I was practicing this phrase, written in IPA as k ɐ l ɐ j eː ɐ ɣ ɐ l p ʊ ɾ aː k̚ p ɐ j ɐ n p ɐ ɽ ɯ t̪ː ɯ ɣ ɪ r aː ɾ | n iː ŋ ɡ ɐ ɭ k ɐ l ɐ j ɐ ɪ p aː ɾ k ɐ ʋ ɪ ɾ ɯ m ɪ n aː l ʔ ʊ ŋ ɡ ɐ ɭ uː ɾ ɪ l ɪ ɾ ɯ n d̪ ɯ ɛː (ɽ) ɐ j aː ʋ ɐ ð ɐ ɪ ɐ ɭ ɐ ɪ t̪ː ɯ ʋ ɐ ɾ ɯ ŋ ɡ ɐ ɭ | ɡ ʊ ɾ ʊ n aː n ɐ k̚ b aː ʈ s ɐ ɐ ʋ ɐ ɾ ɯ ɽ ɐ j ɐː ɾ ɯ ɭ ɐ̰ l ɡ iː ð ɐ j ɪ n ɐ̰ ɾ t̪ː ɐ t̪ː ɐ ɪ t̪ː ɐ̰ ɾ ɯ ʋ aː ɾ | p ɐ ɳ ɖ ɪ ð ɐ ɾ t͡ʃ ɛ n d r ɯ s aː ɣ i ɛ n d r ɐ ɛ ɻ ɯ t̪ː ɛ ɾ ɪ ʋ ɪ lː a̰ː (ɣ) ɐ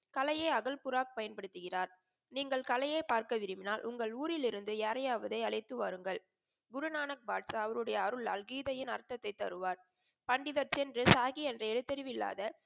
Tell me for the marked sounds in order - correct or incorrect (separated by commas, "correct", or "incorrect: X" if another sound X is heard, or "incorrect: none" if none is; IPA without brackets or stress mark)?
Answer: incorrect: ɾ, incorrect: ð